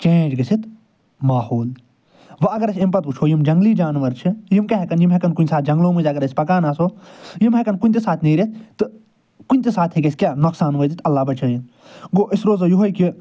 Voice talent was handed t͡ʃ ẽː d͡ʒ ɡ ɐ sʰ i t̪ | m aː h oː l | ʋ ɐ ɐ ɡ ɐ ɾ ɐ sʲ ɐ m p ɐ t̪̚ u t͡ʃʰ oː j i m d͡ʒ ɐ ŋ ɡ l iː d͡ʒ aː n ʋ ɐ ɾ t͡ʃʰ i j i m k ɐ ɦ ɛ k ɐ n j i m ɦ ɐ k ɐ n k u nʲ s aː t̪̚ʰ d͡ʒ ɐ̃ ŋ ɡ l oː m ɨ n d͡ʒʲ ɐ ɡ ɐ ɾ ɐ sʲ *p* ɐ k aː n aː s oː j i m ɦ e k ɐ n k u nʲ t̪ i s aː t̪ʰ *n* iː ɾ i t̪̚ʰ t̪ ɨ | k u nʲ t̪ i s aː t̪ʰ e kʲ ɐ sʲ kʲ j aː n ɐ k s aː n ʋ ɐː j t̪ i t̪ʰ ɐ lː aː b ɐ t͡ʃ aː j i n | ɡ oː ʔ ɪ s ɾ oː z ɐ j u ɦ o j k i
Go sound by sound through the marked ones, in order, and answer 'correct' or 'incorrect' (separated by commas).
correct, correct